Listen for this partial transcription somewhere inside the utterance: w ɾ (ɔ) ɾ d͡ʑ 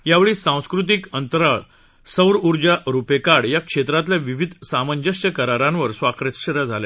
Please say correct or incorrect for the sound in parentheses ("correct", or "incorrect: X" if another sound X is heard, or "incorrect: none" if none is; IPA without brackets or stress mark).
incorrect: u